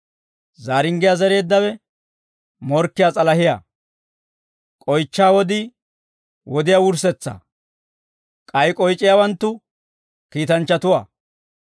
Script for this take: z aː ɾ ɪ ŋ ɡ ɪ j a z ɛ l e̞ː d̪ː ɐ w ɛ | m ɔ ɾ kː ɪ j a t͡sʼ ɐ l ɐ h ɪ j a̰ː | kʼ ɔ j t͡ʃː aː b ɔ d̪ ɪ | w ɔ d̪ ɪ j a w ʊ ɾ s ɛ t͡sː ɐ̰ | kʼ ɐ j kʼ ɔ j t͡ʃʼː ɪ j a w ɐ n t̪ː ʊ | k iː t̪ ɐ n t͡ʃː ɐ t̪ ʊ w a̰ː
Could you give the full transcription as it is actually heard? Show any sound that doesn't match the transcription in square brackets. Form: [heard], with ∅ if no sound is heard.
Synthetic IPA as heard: z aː ɾ ɪ ŋ ɡ ɪ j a z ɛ [ɾ] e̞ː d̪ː ɐ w ɛ | m ɔ ɾ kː ɪ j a t͡sʼ ɐ l ɐ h ɪ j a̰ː | kʼ ɔ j t͡ʃː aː [w] ɔ d̪ ɪ | w ɔ d̪ ɪ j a w ʊ ɾ s ɛ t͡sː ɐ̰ | kʼ ɐ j kʼ ɔ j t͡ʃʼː ɪ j a w ɐ n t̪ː ʊ | k iː t̪ ɐ n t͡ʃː ɐ t̪ ʊ w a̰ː